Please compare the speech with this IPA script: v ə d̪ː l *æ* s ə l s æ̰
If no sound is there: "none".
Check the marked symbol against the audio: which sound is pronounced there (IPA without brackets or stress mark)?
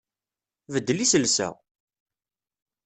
i